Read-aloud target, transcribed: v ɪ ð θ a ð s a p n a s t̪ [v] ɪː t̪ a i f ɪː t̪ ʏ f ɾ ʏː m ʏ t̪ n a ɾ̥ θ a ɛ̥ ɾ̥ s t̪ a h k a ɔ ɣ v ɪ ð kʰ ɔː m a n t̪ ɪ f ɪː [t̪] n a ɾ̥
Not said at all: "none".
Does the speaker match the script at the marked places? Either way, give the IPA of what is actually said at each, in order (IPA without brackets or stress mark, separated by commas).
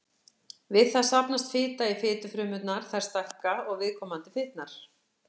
f, t̪